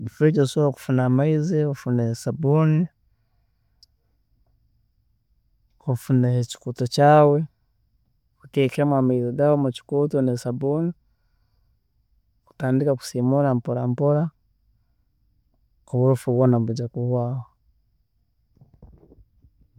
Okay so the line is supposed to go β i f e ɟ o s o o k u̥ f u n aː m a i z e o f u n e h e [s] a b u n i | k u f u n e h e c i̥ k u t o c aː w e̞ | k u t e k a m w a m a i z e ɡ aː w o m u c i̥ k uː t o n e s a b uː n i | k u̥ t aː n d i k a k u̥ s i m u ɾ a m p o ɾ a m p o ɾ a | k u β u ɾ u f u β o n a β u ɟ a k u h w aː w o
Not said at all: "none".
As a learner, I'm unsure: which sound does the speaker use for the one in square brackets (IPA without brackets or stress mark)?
s